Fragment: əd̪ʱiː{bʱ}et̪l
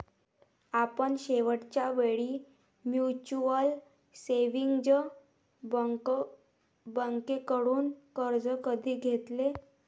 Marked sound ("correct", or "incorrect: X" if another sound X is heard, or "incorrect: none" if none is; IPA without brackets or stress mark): incorrect: ɡʱ